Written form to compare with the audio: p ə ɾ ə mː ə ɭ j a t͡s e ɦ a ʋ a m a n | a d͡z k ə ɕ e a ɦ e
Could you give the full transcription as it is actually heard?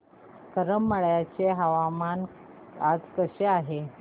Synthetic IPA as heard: k ə ɾ ə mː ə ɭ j a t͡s e ɦ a ʋ a m a n | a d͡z k ə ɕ e a ɦ e